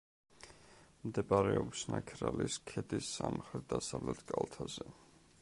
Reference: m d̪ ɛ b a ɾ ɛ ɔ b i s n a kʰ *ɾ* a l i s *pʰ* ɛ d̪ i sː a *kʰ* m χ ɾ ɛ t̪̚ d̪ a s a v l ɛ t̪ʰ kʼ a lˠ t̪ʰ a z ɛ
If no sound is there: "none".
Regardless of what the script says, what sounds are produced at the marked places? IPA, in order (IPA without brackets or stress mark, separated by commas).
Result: ɾ, kʰ, none